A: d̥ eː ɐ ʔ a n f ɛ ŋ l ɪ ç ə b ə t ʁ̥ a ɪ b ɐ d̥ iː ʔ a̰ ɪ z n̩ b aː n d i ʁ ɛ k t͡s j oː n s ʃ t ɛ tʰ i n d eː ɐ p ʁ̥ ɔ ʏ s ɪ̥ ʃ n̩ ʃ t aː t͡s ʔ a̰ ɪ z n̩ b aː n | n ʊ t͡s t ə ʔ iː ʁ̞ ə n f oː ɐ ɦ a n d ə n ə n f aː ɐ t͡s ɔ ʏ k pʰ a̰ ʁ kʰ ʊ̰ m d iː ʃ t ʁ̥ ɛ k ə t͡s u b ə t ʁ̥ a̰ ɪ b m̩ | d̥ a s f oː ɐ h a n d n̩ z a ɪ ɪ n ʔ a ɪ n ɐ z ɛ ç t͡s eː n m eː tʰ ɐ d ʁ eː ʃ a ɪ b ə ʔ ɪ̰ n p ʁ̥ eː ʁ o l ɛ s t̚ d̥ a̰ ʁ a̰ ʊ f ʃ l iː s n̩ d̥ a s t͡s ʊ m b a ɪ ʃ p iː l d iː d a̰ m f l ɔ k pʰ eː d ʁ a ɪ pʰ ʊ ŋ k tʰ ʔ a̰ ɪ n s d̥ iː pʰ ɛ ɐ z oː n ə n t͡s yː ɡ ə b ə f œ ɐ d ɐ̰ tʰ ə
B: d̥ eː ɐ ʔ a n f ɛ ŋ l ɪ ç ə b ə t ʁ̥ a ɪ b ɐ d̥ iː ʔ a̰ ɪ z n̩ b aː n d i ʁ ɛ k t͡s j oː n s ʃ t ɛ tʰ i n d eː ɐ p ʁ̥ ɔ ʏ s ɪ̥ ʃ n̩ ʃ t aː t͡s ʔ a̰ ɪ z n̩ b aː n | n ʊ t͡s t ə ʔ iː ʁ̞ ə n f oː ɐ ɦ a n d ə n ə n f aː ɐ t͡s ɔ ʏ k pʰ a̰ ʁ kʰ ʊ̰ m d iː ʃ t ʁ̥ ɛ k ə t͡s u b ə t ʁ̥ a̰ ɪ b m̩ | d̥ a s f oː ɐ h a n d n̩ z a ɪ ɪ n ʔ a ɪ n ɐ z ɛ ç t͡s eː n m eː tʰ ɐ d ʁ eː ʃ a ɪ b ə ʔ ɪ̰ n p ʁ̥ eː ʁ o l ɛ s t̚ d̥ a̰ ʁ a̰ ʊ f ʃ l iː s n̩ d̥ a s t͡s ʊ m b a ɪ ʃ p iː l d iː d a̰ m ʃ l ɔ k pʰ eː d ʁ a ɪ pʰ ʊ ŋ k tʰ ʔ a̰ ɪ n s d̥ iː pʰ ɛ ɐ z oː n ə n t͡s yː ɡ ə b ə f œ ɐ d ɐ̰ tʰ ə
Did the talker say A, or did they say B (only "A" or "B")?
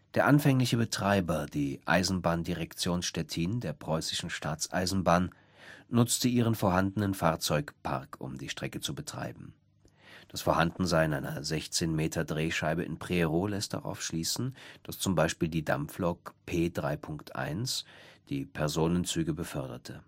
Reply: A